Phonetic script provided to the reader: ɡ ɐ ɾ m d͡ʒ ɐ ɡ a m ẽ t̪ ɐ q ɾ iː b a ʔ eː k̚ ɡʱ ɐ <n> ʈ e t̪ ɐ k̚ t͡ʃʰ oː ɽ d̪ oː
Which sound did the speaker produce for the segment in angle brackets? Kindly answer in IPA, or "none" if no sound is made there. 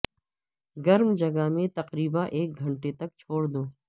ɳ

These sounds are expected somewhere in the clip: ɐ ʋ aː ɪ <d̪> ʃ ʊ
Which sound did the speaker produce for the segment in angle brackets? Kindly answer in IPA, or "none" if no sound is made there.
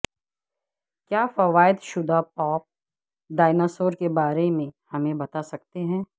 d̪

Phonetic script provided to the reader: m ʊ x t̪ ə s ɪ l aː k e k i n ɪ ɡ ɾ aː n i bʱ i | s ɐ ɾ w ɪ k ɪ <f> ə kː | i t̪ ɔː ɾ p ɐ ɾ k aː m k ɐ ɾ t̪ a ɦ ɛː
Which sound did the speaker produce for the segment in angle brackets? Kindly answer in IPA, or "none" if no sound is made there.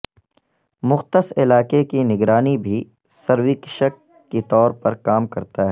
ʃ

